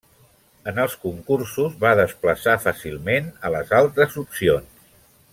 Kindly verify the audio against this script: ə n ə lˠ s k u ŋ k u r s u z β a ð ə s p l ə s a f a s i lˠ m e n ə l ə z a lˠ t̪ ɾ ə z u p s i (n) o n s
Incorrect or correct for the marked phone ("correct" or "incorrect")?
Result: incorrect